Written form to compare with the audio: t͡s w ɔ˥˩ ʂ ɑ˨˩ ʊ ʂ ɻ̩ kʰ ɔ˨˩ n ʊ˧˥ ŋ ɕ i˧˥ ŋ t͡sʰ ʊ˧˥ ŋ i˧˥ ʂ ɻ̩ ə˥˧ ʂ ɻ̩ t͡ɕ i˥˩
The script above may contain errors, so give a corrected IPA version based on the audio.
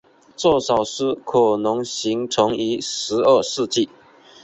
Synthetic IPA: t͡s w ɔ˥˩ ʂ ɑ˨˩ ʊ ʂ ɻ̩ kʰ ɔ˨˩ n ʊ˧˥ ŋ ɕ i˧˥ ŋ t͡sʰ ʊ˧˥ ŋ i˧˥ ʂ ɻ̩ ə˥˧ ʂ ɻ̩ t͡ɕ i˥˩